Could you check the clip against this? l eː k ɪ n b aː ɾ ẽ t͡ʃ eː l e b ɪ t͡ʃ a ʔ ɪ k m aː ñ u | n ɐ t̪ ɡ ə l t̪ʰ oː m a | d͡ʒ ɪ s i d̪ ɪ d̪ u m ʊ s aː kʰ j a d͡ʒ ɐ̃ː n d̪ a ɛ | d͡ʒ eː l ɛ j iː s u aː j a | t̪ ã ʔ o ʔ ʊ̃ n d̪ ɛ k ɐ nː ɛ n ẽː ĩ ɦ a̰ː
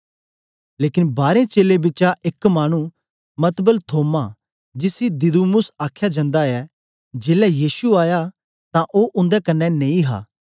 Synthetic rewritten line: l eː k ɪ n b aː ɾ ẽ t͡ʃ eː l e b ɪ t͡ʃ a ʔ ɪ k m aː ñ u | m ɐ t̪ b ə l t̪ʰ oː m a | d͡ʒ ɪ s i d̪ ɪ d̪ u m ʊ s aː kʰ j a d͡ʒ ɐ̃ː n d̪ a ɛ | d͡ʒ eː l ɛ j iː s u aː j a | t̪ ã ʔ o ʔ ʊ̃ n d̪ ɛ k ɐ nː ɛ n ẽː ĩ ɦ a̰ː

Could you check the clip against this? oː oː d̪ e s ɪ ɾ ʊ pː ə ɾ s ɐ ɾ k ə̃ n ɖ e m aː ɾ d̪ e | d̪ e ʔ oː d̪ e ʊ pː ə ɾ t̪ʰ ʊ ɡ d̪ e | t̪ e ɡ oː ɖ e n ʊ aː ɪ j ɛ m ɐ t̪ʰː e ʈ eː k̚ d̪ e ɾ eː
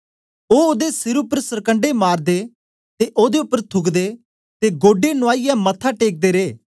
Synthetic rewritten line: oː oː d̪ e s ɪ ɾ ʊ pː ə ɾ s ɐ ɾ k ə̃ ɳ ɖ e m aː ɾ d̪ e | t̪ e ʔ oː d̪ e ʊ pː ə ɾ t̪ʰ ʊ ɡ d̪ e | t̪ e ɡ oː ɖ e n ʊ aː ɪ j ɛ m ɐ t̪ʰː a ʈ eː k̚ d̪ e ɾ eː

